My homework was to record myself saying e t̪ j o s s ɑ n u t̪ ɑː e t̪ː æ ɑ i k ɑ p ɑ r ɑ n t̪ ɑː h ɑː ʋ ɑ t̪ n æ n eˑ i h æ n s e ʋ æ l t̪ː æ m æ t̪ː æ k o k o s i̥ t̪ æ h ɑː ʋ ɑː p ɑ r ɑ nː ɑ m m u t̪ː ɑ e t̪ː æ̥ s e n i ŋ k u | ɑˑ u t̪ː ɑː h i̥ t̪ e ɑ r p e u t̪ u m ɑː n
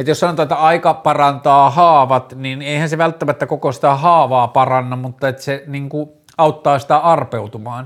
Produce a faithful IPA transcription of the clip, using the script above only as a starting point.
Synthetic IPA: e t̪ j o s s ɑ n o t̪ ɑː e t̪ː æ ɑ i k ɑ p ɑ r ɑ n t̪ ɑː h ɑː ʋ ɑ t̪ n i n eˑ i h æ n s e ʋ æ l t̪ː æ m æ t̪ː æ k o k o s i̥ t̪ æ h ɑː ʋ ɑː p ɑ r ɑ nː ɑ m m u t̪ː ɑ e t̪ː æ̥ s e n i ŋ k u | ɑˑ u t̪ː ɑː s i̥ t̪ æ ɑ r p e u t̪ u m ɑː n